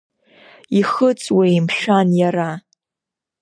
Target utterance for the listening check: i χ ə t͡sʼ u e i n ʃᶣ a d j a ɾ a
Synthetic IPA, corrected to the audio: i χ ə t͡sʼ w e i m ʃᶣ a n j a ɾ a